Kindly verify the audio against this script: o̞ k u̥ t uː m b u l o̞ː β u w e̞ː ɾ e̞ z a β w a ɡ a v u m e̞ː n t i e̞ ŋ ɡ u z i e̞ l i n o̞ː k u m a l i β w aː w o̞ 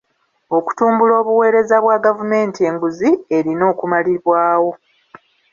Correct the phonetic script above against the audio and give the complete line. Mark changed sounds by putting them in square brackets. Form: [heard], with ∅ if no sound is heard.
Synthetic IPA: o̞ k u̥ t uː m b u l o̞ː β u w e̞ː ɾ e̞ z a β w a ɡ a v u m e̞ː n t i e̞ ŋ ɡ u z i e̞ [ɾ] i n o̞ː k u m a l i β w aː w o̞